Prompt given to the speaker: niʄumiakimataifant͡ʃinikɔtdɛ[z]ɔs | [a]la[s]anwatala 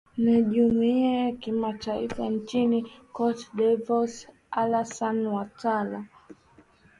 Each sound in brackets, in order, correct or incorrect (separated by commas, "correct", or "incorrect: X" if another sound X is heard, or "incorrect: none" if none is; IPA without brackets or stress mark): incorrect: v, correct, correct